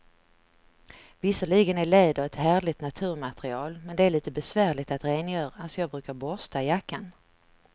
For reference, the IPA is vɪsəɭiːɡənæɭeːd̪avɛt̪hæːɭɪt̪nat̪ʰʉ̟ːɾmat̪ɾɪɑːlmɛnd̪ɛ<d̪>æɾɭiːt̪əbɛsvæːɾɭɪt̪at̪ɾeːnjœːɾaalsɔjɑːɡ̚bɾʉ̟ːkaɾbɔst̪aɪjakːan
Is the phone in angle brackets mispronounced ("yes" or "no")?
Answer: yes